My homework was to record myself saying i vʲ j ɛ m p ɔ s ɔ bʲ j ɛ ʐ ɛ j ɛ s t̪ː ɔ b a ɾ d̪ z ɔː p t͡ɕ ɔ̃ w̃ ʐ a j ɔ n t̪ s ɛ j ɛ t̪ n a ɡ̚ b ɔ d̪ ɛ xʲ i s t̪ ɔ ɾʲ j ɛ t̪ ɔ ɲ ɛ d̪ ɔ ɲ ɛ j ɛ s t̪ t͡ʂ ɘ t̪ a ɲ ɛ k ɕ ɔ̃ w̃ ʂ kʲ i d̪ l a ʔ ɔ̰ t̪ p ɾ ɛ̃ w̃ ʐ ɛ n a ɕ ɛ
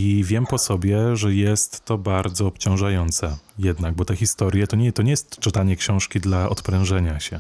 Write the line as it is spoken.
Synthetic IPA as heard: i vʲ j ɛ m p ɔ s ɔ bʲ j ɛ ʐ ɛ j ɛ s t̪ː ɔ b a ɾ d̪ z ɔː p t͡ɕ ɔ̃ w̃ ʐ a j ɔ n t̪ s ɛ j ɛ d̪ n a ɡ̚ b ɔ t̪ ɛ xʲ i s t̪ ɔ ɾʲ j ɛ t̪ ɔ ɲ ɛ t̪ ɔ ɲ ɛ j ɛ s t̪ t͡ʂ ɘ t̪ a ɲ ɛ k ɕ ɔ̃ w̃ ʂ kʲ i d̪ l a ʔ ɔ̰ t̪ p ɾ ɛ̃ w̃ ʐ ɛ ɲ a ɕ ɛ